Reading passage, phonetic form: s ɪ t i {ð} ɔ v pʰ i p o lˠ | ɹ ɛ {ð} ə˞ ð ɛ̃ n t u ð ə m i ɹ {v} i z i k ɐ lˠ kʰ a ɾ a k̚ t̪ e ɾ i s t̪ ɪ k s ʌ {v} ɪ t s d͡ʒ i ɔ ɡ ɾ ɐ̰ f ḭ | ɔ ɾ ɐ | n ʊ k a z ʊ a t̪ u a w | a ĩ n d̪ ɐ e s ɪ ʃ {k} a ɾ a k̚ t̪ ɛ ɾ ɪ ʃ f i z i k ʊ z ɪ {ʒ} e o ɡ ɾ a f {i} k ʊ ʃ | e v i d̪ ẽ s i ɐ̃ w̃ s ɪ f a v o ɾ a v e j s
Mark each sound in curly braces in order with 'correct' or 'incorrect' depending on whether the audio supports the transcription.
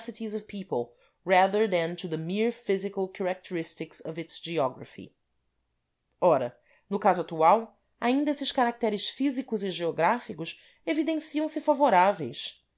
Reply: incorrect: z, correct, incorrect: f, correct, correct, correct, correct

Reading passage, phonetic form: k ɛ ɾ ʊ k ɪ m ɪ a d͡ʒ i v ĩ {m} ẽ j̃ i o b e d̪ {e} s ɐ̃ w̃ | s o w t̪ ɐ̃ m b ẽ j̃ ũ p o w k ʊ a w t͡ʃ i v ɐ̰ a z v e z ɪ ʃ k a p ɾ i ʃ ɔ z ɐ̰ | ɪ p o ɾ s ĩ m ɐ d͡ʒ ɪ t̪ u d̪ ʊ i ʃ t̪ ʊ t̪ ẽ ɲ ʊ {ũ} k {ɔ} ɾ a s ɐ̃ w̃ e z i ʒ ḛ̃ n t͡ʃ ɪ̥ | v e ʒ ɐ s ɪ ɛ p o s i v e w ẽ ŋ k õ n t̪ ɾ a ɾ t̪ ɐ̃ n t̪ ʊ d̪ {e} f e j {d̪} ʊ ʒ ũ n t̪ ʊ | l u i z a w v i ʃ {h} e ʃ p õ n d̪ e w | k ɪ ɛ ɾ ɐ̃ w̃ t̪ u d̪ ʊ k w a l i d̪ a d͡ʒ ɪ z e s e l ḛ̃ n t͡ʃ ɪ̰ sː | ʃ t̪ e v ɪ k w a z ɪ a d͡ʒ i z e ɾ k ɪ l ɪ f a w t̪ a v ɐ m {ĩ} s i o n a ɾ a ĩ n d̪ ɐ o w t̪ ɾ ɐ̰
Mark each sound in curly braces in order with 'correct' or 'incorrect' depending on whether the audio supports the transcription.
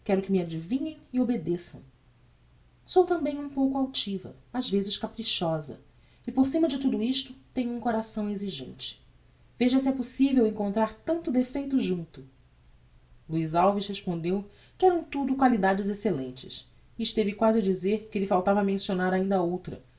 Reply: incorrect: ɲ, correct, correct, incorrect: o, correct, incorrect: t̪, correct, incorrect: ẽ

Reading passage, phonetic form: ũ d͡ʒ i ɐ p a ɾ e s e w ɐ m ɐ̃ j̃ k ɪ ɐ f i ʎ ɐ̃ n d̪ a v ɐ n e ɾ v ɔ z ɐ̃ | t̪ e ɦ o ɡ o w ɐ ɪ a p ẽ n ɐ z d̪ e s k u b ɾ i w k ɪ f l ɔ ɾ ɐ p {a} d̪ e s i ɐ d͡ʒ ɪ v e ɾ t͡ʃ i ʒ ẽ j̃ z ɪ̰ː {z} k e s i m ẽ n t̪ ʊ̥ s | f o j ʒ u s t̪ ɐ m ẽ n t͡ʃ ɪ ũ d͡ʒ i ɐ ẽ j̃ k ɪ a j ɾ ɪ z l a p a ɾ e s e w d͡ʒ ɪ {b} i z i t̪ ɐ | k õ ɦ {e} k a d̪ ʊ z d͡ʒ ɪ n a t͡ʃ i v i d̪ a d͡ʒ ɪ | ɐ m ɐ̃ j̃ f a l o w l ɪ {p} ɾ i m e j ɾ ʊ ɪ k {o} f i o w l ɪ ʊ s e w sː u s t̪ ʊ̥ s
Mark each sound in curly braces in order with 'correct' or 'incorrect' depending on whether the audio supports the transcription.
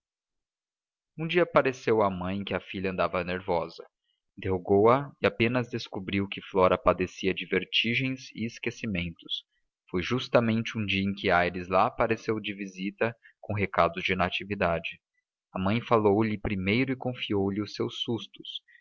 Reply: correct, incorrect: s, incorrect: v, correct, correct, incorrect: õ

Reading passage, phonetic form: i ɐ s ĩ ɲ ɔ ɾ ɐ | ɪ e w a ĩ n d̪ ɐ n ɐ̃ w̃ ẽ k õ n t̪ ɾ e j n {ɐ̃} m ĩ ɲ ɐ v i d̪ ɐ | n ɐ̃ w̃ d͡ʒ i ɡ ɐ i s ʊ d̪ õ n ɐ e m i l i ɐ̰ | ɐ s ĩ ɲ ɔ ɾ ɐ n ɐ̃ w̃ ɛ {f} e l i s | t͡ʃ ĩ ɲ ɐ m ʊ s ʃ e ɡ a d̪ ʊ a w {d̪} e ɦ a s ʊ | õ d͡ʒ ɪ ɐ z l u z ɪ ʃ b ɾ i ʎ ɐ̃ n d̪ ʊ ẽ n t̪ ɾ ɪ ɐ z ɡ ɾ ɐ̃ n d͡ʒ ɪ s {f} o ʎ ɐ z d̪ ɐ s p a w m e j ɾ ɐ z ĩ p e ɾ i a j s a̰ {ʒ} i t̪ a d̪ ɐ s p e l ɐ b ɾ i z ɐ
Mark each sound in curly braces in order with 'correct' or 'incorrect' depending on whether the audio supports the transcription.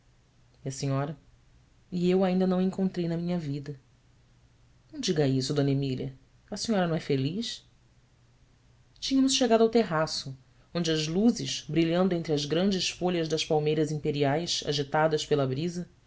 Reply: incorrect: ɐ, correct, incorrect: t̪, correct, correct

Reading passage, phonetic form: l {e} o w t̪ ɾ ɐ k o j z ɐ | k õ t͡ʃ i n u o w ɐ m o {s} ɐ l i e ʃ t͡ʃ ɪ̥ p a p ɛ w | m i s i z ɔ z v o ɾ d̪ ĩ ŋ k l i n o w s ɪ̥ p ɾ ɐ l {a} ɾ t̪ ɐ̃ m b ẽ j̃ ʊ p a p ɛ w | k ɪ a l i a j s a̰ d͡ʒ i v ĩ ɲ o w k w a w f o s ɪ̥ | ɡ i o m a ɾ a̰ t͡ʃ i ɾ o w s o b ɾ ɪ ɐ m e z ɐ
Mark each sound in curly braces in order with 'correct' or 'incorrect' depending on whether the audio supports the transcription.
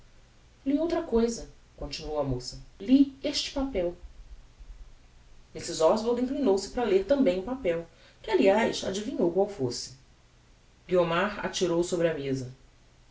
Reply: incorrect: i, correct, incorrect: e

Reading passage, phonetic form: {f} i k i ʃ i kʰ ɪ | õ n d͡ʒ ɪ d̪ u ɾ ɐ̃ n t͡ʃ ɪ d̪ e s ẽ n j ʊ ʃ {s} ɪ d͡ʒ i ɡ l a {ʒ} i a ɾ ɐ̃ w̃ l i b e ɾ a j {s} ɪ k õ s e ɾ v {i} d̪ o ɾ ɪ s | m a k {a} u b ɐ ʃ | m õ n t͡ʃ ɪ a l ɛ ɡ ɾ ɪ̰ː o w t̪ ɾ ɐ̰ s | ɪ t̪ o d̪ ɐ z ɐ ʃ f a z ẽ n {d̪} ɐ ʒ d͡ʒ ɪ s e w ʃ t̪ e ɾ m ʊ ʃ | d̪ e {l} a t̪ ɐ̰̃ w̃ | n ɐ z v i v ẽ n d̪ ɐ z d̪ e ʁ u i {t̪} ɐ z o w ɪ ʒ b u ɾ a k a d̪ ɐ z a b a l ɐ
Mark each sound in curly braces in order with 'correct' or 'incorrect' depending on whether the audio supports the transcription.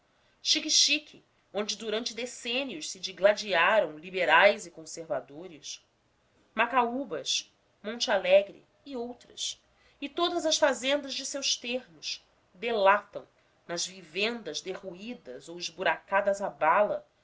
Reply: incorrect: ʃ, correct, incorrect: d͡ʒ, incorrect: z, incorrect: a, correct, correct, correct, incorrect: d̪

